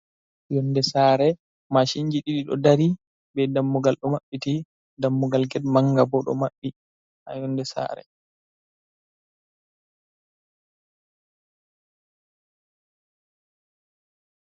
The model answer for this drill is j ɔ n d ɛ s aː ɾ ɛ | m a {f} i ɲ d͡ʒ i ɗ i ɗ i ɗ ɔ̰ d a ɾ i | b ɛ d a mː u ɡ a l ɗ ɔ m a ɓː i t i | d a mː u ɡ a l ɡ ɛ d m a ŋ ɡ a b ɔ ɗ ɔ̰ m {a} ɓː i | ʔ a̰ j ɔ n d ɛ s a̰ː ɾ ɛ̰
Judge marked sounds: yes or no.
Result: no, yes

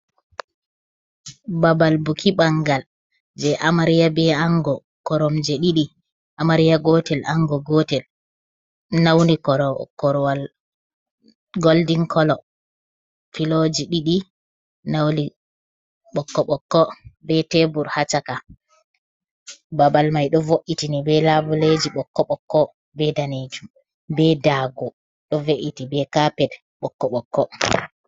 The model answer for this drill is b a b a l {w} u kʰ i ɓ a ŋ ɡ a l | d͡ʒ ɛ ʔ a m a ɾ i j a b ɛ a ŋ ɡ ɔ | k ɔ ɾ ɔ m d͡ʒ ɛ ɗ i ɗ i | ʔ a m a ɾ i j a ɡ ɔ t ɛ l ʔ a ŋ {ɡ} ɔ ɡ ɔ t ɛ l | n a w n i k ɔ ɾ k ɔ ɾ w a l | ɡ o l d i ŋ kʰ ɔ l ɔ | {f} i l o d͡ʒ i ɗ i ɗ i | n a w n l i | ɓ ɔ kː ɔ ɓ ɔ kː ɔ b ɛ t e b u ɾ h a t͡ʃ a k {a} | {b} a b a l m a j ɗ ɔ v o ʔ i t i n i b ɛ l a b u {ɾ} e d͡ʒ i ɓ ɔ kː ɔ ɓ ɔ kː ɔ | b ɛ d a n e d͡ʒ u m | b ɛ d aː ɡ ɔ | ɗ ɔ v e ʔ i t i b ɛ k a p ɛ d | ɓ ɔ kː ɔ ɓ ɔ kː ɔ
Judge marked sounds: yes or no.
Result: no, yes, yes, yes, yes, no

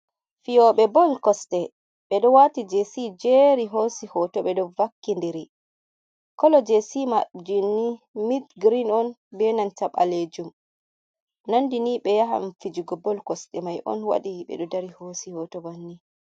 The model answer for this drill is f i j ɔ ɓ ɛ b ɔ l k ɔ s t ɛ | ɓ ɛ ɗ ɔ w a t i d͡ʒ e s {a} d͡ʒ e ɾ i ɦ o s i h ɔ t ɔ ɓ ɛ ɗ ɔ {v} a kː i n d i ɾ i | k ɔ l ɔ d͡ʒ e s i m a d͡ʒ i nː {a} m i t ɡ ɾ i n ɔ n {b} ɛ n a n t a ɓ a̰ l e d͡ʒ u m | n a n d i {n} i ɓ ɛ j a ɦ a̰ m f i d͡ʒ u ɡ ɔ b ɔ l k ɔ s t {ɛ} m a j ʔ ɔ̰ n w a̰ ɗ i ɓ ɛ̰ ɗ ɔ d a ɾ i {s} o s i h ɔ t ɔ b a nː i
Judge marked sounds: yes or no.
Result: no, yes, no, yes, yes, yes, no

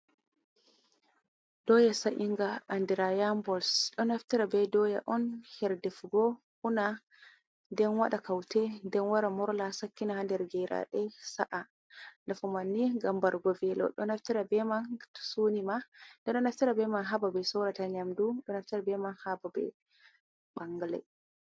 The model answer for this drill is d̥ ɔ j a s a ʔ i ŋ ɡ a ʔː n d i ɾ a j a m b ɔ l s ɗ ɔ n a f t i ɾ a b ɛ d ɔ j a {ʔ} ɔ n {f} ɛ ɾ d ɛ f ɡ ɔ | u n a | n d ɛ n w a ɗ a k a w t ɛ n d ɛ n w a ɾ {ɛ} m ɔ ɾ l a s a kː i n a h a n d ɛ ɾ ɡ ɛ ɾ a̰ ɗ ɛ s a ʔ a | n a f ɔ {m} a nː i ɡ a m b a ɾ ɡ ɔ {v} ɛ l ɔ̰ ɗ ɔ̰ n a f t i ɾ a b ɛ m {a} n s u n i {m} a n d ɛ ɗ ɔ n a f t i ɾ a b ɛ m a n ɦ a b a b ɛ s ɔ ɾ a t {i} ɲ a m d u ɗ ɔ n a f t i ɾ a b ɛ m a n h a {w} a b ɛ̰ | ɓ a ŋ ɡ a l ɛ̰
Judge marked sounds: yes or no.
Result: yes, no, no, yes, yes, yes, yes, no, no

